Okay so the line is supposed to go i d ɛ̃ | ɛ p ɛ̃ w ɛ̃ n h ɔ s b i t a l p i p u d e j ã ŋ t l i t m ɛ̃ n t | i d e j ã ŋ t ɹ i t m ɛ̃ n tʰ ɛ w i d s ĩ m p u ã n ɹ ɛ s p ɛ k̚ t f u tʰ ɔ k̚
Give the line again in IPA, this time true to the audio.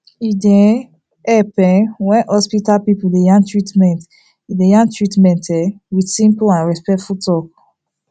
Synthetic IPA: i d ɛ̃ | ɛ p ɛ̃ w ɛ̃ n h ɔ s p i t a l p i p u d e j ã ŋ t ɹ i t m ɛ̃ n t | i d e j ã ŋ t ɹ i t m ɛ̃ n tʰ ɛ w i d s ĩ m p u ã n ɹ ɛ s p ɛ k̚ t f u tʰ ɔ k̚